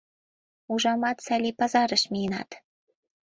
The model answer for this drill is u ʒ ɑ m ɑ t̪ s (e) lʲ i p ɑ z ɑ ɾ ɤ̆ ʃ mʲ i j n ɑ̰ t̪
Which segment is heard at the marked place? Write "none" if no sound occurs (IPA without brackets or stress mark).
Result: æ